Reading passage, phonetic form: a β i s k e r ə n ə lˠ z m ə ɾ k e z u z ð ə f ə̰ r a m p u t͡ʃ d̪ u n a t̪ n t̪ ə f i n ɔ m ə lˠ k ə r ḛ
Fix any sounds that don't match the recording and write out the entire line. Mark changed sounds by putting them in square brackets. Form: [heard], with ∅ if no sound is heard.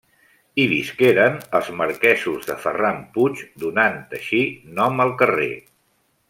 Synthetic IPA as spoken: [i] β i s k e [ɾ] ə n ə lˠ z m ə ɾ k [ɛ] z u z ð ə f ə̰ r a m p u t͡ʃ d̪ u n a [∅] n t̪ ə [ʃ] i n ɔ m ə lˠ k ə r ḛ